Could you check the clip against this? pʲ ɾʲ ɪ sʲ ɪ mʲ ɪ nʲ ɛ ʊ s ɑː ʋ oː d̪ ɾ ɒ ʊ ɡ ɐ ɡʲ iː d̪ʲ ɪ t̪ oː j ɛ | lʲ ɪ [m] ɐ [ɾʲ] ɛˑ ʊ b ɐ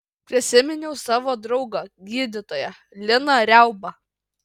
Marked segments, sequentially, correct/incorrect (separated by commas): incorrect, correct